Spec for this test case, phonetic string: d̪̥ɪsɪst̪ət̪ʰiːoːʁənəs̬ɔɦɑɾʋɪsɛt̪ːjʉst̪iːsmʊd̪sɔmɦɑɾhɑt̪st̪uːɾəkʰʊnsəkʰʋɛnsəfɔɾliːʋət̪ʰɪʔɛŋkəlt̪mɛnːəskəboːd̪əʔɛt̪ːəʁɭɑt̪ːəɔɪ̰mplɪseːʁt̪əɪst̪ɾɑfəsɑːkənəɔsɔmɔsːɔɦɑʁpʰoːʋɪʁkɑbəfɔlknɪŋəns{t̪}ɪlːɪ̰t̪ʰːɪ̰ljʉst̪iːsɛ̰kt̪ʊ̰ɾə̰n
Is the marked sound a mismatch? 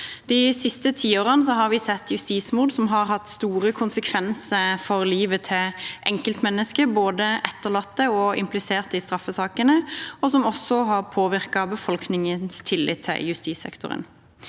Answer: yes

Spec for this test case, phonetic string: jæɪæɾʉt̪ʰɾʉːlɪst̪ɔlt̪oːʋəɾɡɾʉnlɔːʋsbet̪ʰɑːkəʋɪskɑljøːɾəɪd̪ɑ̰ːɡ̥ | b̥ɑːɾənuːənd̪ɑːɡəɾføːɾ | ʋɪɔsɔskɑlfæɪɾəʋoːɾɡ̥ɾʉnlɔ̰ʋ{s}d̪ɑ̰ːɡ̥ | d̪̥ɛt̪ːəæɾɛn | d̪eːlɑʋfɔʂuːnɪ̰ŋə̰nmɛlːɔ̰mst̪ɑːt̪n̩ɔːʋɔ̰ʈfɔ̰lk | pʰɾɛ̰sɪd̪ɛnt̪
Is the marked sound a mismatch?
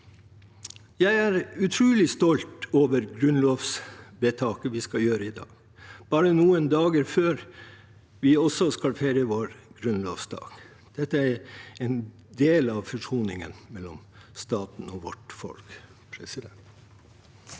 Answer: no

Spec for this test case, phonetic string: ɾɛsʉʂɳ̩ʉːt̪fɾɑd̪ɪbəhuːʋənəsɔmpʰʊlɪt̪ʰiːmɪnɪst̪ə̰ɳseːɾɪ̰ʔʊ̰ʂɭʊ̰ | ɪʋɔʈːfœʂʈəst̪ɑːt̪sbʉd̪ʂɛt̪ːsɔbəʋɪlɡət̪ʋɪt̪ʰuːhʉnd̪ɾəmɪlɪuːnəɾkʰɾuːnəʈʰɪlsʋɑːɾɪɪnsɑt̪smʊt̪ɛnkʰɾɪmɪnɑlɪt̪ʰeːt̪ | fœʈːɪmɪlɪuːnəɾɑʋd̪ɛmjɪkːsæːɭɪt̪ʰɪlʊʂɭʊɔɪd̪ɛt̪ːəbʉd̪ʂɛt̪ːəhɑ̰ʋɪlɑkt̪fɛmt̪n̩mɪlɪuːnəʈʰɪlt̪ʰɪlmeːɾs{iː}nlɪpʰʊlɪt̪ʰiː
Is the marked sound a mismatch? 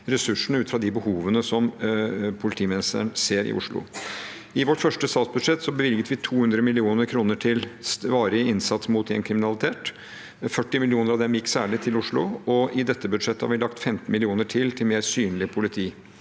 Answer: yes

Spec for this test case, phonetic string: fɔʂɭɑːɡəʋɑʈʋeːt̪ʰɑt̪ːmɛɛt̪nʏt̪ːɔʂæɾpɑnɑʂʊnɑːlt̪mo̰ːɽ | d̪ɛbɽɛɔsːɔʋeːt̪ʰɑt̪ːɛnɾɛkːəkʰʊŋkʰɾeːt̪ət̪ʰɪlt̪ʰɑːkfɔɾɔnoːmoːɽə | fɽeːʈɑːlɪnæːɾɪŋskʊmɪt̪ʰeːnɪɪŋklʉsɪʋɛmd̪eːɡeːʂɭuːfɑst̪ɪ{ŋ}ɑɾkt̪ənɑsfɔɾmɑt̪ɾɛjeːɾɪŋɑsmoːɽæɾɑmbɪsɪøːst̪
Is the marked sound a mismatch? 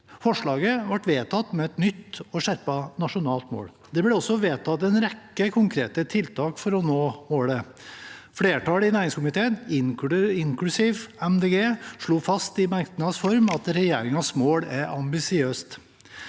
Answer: yes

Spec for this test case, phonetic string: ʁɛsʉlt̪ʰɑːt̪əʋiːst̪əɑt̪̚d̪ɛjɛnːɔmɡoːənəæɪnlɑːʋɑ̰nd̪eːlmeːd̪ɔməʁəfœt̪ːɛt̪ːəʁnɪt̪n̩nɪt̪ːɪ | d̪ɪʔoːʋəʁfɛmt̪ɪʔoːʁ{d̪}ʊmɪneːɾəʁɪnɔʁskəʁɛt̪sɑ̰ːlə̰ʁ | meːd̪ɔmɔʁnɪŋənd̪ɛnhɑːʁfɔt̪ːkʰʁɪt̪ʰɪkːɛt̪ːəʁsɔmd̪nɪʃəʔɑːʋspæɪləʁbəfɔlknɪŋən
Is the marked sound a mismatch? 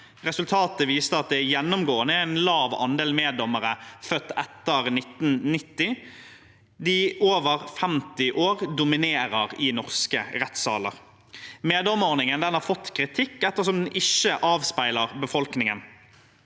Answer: no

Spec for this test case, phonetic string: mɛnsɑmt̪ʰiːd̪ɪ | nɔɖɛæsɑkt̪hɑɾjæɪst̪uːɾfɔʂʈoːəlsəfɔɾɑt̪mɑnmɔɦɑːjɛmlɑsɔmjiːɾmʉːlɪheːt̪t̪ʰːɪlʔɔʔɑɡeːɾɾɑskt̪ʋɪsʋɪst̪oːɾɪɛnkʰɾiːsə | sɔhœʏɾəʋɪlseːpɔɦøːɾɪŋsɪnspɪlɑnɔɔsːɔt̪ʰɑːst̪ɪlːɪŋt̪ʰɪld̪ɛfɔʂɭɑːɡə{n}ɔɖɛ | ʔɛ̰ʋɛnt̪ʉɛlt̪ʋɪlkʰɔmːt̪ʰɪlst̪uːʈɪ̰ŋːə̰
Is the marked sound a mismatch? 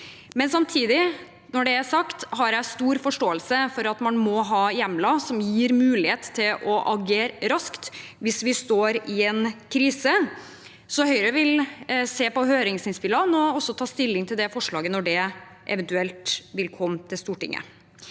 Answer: no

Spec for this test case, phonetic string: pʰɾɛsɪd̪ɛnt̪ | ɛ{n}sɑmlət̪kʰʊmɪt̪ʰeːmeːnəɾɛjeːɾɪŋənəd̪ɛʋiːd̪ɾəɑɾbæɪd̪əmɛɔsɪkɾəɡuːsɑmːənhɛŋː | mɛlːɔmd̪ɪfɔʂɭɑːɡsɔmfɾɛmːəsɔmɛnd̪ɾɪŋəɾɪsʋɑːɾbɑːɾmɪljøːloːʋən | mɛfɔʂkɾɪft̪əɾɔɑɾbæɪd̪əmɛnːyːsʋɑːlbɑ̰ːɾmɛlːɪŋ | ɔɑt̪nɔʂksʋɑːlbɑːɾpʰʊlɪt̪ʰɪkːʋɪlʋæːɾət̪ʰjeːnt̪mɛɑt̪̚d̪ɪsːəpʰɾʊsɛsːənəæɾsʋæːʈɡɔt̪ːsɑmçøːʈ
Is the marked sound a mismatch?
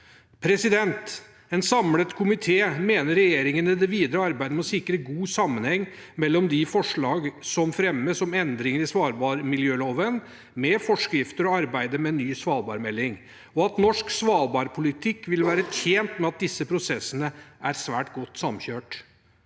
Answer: no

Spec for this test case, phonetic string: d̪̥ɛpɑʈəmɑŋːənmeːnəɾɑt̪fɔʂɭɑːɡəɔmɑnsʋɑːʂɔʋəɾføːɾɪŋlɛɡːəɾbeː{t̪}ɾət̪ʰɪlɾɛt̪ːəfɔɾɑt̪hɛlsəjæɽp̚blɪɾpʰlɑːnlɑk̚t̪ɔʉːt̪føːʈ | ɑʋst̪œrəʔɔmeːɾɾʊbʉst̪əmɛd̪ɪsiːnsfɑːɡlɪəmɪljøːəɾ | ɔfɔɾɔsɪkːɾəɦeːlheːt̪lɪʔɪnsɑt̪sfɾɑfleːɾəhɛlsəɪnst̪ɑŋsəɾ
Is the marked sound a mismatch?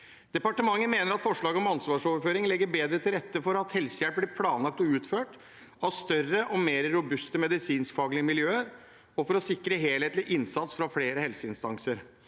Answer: yes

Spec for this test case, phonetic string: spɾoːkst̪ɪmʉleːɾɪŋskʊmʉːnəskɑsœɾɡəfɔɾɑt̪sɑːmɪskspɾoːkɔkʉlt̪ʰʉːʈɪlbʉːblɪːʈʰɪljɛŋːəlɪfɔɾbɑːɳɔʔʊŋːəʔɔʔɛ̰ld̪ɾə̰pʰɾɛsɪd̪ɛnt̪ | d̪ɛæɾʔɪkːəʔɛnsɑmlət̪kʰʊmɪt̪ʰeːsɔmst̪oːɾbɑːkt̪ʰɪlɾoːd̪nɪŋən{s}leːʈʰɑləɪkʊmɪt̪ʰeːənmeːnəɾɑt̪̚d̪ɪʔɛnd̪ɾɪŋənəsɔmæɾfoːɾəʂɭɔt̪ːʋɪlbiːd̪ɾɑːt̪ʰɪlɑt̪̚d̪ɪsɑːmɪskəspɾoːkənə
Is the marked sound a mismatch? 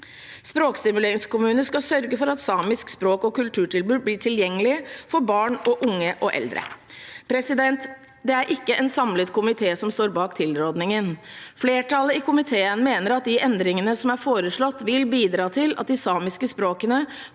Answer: yes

